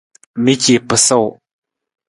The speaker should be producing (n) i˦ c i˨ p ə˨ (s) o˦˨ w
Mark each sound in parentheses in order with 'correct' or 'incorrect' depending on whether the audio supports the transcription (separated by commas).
incorrect, correct